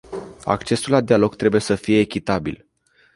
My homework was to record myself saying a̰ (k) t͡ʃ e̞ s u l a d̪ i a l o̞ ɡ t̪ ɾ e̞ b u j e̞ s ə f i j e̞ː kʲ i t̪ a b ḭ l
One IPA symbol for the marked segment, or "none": k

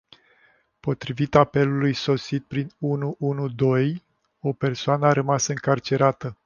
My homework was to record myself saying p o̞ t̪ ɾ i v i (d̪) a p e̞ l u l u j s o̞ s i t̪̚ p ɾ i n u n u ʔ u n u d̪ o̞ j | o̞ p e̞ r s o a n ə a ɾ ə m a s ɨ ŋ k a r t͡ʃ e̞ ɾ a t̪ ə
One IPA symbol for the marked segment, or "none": t̪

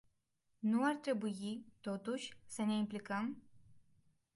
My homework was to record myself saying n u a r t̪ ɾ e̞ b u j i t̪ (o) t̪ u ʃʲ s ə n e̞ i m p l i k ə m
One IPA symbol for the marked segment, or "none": o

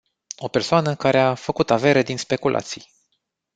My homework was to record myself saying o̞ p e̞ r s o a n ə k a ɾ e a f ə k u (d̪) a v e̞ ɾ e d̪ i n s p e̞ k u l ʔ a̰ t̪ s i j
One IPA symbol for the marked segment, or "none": t̪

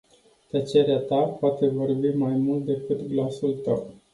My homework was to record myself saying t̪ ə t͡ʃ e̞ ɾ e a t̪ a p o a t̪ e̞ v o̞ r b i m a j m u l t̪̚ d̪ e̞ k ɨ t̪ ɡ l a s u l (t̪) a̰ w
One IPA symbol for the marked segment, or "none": t̪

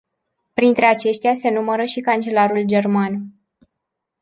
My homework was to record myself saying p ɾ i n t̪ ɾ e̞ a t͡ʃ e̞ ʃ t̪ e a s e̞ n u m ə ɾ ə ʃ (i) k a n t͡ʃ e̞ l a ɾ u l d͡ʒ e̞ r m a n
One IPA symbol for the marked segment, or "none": i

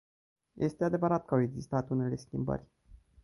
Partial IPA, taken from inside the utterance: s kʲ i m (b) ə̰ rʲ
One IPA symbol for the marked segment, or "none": b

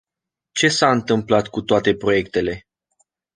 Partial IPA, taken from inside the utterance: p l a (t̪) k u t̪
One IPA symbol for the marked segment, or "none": t̪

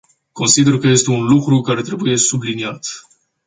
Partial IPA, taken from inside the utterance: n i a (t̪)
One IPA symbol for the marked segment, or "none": t̪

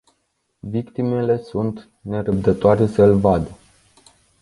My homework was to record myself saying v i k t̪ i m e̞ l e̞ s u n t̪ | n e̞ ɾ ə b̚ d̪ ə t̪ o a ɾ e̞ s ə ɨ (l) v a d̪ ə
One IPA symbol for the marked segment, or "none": l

